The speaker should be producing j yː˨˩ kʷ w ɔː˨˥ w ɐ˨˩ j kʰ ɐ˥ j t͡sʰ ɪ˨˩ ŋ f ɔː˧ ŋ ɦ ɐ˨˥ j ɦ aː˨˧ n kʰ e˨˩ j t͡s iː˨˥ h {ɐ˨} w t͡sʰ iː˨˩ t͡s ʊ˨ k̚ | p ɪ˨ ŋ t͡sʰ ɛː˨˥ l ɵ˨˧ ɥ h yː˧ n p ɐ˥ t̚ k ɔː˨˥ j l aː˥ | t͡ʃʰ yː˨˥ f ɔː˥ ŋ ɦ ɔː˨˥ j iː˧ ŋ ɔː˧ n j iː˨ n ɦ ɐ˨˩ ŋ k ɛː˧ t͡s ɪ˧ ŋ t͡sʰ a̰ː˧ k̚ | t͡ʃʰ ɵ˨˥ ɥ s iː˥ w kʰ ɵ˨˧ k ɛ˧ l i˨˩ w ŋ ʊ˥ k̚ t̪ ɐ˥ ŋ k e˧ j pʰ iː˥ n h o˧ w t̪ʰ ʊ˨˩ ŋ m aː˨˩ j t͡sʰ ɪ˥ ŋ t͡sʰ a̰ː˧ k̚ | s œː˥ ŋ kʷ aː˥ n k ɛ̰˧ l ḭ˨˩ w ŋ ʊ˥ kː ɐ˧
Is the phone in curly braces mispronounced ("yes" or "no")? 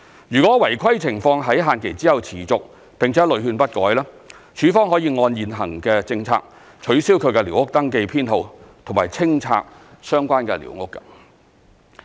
no